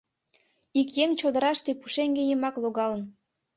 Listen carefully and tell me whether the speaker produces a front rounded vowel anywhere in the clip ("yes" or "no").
no